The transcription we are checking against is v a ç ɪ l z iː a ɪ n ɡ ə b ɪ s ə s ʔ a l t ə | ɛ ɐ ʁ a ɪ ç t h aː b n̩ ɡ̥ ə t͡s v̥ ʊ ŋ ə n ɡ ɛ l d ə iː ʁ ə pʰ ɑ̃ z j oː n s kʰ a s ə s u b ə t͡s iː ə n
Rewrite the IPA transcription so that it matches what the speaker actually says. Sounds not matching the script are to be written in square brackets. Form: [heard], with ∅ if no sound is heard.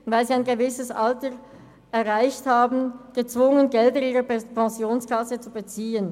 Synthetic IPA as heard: v a [∅] ɪ l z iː a ɪ n ɡ ə [v] ɪ s ə s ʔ a l t ə | ɛ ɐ ʁ a ɪ ç t h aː b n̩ ɡ̥ ə t͡s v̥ ʊ ŋ ə n ɡ ɛ l d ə iː ʁ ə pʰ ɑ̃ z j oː n s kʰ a s ə [t͡s] u b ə t͡s iː ə n